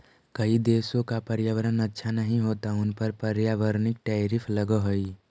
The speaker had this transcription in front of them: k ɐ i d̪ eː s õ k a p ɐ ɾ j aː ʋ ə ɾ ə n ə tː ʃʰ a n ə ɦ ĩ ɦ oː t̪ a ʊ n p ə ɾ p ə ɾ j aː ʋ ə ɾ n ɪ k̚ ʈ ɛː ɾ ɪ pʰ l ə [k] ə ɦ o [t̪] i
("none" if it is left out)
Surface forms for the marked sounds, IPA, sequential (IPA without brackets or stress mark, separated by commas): ɡ, none